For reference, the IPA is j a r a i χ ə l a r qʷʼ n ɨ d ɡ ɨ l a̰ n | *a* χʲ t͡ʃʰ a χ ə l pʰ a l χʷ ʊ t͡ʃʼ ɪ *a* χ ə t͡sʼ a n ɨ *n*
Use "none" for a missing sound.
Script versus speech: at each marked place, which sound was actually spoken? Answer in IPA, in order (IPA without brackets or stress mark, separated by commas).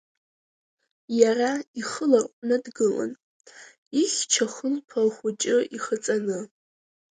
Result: i, i, none